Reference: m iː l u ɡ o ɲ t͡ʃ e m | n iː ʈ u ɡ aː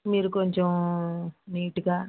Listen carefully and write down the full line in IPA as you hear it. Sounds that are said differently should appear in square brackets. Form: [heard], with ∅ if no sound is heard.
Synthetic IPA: m iː [ɾ] u [k] o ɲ t͡ʃ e m | n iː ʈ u ɡ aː